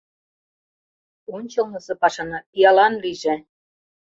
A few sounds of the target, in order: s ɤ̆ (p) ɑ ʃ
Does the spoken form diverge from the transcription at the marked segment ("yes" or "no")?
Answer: no